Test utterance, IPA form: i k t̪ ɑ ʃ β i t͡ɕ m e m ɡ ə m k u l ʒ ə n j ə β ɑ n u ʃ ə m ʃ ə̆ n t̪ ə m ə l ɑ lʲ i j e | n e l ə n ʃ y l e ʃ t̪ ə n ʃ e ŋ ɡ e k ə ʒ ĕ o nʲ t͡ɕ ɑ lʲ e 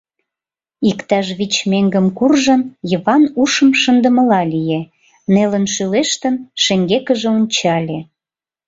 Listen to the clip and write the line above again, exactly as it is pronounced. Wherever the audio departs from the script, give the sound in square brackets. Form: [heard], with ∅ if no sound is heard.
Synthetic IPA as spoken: i k t̪ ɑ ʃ β i t͡ɕ m e [ŋ] ɡ ə m k u [r] ʒ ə n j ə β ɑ n u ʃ ə m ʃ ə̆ n [d̪] ə m ə l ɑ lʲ i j e | n e l ə n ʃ y l e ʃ t̪ ə n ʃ e ŋ ɡ e k ə ʒ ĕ o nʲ t͡ɕ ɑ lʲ e

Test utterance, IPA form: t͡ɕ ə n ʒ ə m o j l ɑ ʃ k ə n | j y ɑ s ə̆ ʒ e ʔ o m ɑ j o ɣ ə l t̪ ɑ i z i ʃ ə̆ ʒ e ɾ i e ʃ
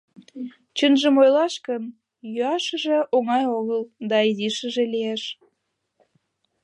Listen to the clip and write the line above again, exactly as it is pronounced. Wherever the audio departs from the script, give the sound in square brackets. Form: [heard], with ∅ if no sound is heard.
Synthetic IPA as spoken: t͡ɕ ə n ʒ ə m o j l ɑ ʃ k ə n | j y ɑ [ʃ] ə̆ ʒ e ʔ o [ŋ] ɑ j o ɣ ə l [d̪] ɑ i z i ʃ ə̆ ʒ e [l] i e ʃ

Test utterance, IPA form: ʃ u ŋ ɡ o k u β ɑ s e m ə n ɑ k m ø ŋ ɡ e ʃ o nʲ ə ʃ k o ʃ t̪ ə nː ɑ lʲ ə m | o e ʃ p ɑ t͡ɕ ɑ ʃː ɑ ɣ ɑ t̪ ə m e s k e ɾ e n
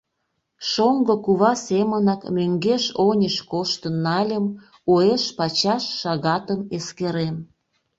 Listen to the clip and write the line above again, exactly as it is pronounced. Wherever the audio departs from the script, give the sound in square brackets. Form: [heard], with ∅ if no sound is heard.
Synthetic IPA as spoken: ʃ [o] ŋ ɡ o k u β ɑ s e m ə n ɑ k m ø ŋ ɡ e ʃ o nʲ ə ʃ k o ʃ t̪ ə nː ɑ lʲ ə m | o e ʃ p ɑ t͡ɕ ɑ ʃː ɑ ɣ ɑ t̪ ə m e s k e ɾ e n

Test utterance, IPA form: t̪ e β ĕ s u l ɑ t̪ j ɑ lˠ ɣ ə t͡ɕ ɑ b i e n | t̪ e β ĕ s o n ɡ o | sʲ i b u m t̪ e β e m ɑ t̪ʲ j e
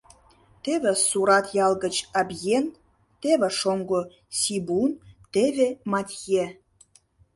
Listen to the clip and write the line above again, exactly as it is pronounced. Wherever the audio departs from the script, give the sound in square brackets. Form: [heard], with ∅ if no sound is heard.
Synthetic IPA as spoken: t̪ e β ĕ s u [ɾ] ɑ t̪ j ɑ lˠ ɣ ə t͡ɕ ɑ b [j] e n | t̪ e β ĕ [ʃ] o [ŋ] ɡ o | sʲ i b u [n] t̪ e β e m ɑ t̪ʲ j e

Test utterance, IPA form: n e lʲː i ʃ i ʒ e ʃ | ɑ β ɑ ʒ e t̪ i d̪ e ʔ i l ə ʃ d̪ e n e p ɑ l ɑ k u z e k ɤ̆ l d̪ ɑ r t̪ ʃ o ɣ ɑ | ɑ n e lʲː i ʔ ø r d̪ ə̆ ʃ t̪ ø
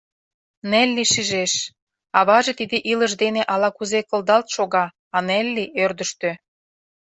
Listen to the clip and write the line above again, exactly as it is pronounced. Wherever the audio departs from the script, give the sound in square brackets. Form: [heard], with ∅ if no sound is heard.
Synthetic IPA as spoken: n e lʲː i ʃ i ʒ e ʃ | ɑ β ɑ ʒ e t̪ i d̪ e ʔ i l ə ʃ d̪ e n e [ʔ] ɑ l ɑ k u z e k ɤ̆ l d̪ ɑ [l] t̪ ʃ o ɣ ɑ | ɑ n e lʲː i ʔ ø r d̪ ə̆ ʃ t̪ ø

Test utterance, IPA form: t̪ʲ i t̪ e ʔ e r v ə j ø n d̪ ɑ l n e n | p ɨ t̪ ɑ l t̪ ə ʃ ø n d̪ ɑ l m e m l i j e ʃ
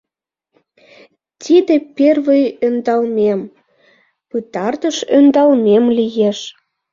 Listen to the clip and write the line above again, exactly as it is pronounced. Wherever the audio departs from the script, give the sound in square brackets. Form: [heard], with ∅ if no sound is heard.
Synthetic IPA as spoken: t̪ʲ i [d̪] e [p] e r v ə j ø n d̪ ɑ l [m] e [m] | p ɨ t̪ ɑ [r] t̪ ə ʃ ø n d̪ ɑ l m e m l i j e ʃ

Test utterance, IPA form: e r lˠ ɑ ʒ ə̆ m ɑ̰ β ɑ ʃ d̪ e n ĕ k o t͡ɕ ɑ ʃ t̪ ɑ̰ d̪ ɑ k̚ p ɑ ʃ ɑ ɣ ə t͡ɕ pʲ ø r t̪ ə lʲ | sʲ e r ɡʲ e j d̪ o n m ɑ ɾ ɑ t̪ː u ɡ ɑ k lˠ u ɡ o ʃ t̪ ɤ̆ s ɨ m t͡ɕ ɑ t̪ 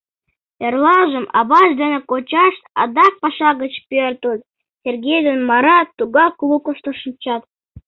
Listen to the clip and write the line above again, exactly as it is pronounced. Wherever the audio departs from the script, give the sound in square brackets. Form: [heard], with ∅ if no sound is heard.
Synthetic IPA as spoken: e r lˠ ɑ ʒ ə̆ m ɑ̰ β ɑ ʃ d̪ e n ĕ k o t͡ɕ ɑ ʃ t̪ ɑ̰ d̪ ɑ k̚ p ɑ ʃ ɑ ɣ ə t͡ɕ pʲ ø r t̪ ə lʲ | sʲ e r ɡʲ e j d̪ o n m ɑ ɾ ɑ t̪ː u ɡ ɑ k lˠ u [k] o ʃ t̪ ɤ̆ [ʃ] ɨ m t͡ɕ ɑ t̪

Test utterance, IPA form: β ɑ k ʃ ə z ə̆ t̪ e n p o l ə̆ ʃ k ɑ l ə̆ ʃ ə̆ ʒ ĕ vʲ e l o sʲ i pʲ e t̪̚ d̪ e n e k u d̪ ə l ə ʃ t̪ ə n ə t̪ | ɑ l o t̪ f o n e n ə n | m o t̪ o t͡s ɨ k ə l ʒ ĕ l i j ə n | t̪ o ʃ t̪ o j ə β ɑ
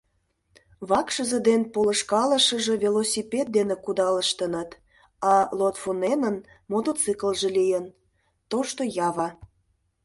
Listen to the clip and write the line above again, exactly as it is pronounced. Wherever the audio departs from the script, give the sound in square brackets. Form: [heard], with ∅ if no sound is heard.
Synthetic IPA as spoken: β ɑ k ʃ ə z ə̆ [d̪] e n p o l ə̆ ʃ k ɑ l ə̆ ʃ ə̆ ʒ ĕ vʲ e l o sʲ i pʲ e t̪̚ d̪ e n e k u d̪ [ɑ] l ə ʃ t̪ ə n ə t̪ | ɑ l o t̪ f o n e n ə n | m o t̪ o t͡s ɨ k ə l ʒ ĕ l i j ə n | t̪ o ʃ t̪ o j [ɑ] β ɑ

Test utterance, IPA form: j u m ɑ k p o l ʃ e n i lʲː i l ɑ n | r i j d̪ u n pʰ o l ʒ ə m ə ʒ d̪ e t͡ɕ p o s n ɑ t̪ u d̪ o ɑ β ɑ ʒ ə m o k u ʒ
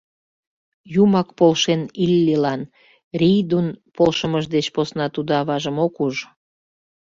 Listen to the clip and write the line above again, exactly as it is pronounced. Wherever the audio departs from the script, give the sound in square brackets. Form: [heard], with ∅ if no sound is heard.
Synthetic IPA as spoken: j u m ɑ k p o l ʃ e n i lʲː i l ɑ n | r i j d̪ u n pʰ o l [ʃ] ə m ə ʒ d̪ e t͡ɕ p o s n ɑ t̪ u d̪ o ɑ β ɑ ʒ ə m o k u ʒ

